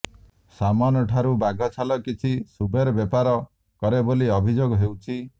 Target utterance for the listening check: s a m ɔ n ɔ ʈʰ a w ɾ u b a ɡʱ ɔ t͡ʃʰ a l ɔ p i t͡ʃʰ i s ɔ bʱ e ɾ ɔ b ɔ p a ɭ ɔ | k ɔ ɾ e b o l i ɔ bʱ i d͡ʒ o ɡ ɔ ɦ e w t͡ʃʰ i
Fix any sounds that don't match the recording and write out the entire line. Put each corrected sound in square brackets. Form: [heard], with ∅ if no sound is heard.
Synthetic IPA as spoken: s a m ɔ n ɔ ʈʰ a [∅] ɾ u b a ɡʱ ɔ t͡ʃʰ a l ɔ [k] i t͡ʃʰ i s [u] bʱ e ɾ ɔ b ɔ p a [ɾ] ɔ | k ɔ ɾ e b o l i ɔ bʱ i d͡ʒ o ɡ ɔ ɦ e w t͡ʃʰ i